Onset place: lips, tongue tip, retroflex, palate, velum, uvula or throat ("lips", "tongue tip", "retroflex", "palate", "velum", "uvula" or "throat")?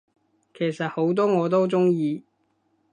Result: velum